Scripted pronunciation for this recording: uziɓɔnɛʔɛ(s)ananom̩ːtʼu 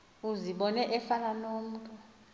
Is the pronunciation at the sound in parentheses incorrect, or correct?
incorrect